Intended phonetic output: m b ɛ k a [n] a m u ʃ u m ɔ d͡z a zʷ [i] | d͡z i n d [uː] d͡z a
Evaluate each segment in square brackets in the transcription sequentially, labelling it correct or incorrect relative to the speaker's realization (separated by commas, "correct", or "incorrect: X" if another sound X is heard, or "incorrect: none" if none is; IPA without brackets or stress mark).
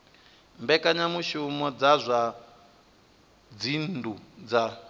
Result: incorrect: ɲ, incorrect: a, incorrect: u